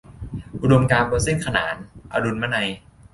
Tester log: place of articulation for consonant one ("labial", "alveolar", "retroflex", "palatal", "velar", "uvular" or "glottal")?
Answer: glottal